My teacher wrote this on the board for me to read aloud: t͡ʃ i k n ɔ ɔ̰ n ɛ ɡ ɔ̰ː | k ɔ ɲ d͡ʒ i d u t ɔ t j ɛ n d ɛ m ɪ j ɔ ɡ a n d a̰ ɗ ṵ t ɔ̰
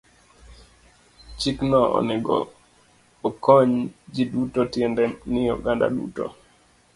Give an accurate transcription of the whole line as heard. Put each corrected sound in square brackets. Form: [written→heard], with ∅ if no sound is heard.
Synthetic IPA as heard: t͡ʃ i k n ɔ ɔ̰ n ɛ ɡ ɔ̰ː | k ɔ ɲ d͡ʒ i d u t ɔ t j ɛ n d ɛ [m→n] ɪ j ɔ ɡ a n d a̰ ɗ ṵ t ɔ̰